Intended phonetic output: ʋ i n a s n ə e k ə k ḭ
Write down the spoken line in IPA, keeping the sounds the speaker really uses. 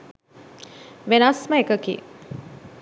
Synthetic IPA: ʋ e n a s m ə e k ə k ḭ